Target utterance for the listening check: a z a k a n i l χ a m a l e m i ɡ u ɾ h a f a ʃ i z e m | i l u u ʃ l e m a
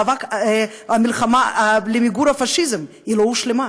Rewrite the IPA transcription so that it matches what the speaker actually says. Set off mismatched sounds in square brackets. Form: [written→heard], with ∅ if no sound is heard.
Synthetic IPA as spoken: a [z→v] a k a [n→m] i l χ a m a l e m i ɡ u ɾ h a f a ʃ i z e m | i l [u→o] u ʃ l e m a